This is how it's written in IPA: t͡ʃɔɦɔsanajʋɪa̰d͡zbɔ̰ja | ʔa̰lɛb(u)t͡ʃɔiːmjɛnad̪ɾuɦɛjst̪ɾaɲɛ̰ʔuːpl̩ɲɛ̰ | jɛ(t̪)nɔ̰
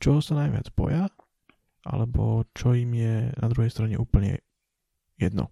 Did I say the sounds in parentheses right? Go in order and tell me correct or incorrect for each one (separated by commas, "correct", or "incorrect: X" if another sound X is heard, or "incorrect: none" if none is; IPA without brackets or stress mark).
incorrect: ɔ, incorrect: d̪